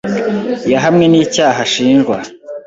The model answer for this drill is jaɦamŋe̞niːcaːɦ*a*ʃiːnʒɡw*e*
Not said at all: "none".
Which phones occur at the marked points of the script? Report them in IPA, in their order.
a, a

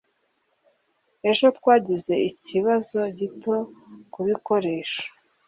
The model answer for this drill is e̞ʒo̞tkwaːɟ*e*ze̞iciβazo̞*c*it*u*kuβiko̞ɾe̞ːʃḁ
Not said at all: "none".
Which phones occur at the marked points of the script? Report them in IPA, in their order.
i, ɟ, o

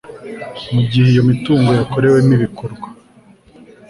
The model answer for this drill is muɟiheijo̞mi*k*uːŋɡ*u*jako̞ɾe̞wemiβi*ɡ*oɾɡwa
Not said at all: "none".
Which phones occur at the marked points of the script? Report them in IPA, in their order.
t, o, k

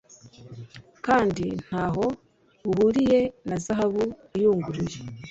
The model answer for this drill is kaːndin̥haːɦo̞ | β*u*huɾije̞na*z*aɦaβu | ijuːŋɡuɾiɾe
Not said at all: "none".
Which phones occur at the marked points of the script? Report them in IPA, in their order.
u, z

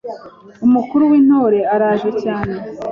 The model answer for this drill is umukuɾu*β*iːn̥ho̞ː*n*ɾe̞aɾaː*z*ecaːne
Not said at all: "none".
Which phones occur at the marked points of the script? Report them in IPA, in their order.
w, none, ʒ

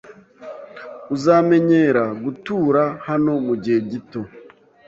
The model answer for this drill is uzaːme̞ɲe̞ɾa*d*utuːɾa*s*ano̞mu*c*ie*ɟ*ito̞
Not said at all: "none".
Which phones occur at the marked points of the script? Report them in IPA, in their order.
ɡ, h, ɟ, ɟ

